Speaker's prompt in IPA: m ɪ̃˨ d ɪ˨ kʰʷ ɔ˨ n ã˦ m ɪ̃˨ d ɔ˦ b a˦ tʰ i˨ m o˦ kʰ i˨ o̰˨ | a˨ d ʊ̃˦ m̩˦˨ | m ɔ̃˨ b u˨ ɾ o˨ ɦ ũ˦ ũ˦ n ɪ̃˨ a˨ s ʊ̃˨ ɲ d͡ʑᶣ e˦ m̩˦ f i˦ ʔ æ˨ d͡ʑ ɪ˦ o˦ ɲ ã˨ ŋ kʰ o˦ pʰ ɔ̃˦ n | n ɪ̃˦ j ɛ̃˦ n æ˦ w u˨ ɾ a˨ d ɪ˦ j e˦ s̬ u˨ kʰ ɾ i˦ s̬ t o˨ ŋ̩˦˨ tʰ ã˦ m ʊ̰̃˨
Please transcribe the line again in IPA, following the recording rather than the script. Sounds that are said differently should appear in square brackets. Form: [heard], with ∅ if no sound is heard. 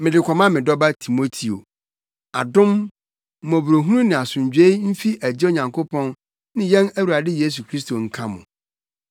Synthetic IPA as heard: m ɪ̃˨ d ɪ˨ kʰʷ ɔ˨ [m] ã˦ m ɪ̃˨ d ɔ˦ b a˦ tʰ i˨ m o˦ [tʰ] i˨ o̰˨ | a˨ d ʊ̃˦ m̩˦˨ | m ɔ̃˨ b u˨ ɾ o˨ ɦ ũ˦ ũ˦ n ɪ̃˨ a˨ s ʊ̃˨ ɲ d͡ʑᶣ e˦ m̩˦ f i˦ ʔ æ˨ d͡ʑ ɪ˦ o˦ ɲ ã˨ ŋ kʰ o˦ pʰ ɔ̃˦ n | n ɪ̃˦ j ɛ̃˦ n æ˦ w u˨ ɾ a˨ d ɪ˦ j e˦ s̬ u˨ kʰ ɾ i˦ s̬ t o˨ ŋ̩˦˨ [kʰ] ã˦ m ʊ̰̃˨